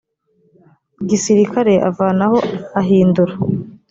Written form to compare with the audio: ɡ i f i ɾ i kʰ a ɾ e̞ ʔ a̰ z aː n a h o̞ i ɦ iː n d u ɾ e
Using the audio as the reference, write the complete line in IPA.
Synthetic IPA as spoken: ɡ i s i ɾ i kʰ a ɾ e̞ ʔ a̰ v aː n a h o̞ a ɦ iː n d u ɾ a